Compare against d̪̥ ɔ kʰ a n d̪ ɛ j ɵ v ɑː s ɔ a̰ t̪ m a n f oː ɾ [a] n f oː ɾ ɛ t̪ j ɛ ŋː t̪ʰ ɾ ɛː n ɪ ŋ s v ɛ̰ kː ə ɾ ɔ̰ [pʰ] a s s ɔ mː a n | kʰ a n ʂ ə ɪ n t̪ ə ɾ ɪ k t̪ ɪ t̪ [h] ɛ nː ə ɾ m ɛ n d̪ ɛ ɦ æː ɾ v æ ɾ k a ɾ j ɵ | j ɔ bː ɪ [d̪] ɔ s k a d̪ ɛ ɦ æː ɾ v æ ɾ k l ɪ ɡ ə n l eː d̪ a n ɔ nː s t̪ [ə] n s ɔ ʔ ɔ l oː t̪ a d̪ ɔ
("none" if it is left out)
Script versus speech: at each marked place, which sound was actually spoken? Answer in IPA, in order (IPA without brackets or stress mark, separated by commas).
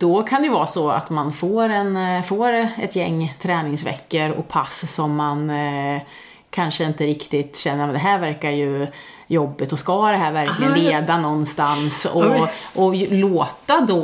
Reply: ɛ, pʰ, ɕ, t̪, a